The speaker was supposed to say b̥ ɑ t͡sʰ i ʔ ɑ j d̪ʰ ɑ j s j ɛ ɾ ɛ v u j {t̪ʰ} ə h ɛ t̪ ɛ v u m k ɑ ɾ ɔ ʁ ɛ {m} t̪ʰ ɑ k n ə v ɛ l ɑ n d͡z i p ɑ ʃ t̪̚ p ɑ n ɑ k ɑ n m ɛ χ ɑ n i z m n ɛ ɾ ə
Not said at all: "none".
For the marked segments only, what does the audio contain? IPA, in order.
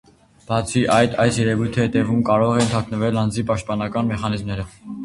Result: t̪ʰ, n

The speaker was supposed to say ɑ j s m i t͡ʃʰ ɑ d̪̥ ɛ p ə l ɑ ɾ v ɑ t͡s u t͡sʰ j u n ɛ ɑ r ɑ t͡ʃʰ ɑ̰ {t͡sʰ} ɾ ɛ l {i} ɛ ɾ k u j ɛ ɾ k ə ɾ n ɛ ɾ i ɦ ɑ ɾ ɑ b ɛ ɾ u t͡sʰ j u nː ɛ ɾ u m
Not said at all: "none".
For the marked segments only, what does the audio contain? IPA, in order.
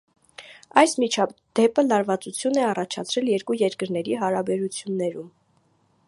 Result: t͡sʰ, j

